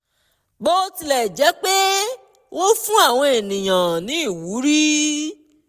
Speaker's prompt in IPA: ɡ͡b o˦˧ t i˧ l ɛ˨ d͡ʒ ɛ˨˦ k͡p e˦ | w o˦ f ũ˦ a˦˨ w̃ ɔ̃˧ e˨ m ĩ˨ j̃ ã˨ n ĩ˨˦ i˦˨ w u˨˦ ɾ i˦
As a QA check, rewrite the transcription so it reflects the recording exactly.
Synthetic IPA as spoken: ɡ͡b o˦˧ t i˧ l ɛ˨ d͡ʒ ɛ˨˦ k͡p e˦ | w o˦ f ũ˦ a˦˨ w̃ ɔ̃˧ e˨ n ĩ˨ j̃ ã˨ n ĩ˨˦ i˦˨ w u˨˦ ɾ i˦

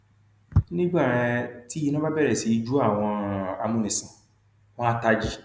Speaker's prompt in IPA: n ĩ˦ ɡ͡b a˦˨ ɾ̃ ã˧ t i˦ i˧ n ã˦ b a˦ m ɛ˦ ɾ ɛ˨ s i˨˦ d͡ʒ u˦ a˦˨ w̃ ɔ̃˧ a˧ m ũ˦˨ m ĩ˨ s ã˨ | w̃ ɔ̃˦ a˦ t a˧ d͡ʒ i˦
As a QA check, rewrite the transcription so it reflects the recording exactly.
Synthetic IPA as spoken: n ĩ˦ ɡ͡b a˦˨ ɾ̃ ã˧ t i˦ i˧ n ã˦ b a˦ b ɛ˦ ɾ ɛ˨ s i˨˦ d͡ʒ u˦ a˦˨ w̃ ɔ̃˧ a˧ m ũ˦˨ n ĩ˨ s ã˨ | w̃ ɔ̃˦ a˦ t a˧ d͡ʒ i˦

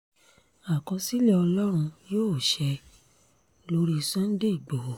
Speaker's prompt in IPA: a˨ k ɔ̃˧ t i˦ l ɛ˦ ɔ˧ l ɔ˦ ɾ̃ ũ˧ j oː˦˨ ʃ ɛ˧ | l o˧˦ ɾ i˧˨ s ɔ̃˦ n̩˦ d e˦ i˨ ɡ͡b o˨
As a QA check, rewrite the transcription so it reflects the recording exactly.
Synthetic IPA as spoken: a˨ k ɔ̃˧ s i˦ l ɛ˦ ɔ˧ l ɔ˦ ɾ̃ ũ˧ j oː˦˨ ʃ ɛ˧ | l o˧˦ ɾ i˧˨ s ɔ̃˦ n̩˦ d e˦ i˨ ɡ͡b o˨

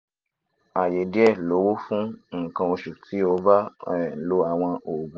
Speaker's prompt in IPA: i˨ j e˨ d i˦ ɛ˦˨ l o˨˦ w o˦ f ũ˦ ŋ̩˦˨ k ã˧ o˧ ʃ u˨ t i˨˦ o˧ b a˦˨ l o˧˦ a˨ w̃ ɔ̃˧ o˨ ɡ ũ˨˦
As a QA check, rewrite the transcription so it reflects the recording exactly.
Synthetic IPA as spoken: a˨ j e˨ d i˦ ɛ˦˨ l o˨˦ w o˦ f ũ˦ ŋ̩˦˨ k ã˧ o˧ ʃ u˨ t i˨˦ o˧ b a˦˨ l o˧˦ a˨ w̃ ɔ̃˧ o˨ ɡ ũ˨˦

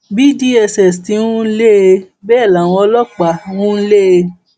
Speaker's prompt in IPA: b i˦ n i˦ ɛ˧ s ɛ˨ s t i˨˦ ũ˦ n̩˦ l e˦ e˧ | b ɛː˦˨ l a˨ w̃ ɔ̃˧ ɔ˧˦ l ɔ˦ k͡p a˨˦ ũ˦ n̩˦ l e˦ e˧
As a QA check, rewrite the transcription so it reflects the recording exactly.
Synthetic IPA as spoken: b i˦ d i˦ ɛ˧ s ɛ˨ s t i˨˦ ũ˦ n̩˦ l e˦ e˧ | b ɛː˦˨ l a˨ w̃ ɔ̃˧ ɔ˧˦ l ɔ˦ k͡p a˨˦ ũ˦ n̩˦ l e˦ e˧

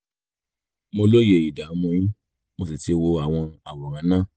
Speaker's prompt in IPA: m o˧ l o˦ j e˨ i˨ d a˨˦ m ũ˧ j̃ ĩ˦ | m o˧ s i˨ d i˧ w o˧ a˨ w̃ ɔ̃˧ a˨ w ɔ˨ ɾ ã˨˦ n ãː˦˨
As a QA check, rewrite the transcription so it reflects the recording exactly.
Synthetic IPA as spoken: m o˧ l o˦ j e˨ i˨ d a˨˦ m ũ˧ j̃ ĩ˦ | m o˧ s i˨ t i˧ w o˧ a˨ w̃ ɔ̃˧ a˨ w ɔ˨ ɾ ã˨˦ n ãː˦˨

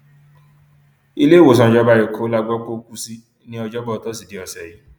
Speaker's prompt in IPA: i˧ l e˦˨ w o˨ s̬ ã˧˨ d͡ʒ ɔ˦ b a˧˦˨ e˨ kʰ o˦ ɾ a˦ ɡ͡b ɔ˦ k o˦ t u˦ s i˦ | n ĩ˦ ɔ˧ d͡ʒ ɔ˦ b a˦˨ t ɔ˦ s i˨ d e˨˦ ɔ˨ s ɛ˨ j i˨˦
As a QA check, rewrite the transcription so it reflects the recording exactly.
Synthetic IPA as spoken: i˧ l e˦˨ w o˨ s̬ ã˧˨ d͡ʒ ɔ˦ b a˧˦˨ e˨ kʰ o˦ l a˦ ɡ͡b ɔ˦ k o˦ k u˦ s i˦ | n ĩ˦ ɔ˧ d͡ʒ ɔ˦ b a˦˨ t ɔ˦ s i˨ d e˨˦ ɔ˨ s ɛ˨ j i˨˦

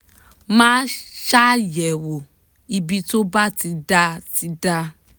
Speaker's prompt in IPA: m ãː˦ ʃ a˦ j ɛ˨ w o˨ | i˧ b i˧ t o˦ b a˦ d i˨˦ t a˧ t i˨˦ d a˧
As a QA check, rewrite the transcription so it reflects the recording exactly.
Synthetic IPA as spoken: m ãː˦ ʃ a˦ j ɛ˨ w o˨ | i˧ b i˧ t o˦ b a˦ t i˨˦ d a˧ t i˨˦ d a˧

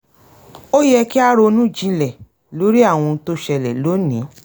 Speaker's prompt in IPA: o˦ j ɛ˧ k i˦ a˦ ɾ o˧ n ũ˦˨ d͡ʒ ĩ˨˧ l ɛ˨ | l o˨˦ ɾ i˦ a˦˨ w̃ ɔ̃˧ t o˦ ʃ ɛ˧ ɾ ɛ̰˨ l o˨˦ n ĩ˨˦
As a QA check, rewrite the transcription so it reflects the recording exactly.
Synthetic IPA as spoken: o˦ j ɛ˧ k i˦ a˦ ɾ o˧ n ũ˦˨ d͡ʒ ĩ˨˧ l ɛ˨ | l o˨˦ ɾ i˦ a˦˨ w̃ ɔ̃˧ t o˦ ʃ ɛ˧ l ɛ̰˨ l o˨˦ n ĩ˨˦

